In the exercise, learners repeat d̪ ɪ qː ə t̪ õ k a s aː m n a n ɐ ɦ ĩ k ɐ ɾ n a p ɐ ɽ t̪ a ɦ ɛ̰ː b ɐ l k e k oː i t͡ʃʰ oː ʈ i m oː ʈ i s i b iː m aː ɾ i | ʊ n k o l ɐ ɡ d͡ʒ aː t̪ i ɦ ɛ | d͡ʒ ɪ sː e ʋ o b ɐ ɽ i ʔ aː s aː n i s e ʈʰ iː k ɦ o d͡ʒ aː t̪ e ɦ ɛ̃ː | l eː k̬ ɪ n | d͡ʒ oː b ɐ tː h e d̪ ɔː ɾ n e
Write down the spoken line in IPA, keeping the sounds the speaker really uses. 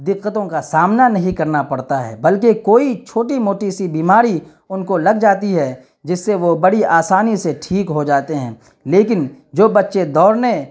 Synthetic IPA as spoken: d̪ ɪ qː ə t̪ õ k a s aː m n a n ɐ ɦ ĩ k ɐ ɾ n a p ɐ ɽ t̪ a ɦ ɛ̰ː b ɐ l k e k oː i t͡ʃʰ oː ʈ i m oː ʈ i s i b iː m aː ɾ i | ʊ n k o l ɐ ɡ d͡ʒ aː t̪ i ɦ ɛ | d͡ʒ ɪ sː e ʋ o b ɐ ɽ i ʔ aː s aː n i s e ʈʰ iː k ɦ o d͡ʒ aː t̪ e ɦ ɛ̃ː | l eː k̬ ɪ n | d͡ʒ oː b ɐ tː ʃ e d̪ ɔː ɾ n e